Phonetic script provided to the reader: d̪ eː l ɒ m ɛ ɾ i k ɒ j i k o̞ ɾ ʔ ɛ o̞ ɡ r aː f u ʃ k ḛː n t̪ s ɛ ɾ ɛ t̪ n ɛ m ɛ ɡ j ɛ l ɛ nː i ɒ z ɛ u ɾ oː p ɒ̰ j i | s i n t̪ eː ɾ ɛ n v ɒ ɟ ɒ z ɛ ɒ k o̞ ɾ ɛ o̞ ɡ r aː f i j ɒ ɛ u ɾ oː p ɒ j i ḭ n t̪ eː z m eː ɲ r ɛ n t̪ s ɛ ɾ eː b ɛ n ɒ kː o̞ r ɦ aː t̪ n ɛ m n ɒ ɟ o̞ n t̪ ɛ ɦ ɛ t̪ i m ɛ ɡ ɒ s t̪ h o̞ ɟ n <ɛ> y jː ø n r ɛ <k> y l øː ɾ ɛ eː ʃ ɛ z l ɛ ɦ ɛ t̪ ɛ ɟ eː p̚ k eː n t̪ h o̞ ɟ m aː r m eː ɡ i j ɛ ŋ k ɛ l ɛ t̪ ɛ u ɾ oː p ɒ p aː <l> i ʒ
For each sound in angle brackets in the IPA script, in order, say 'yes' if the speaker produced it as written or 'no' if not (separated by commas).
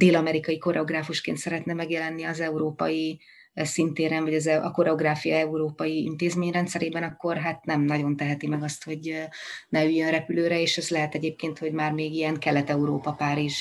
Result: yes, no, no